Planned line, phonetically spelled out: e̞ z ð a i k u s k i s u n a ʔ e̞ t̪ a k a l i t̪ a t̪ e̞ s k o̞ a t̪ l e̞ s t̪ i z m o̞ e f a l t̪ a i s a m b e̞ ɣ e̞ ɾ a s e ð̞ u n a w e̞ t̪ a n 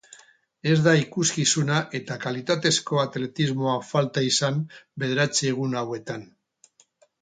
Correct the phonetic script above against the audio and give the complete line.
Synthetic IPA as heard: e̞ z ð a i k u s k i s u n a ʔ e̞ t̪ a k a l i t̪ a t̪ e̞ s k o̞ a t̪ l e̞ t̪ i z m o̞ a f a l t̪ a i s a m b e̞ ð e̞ ɾ a t͡s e ɣ̞ u n a w e̞ t̪ a n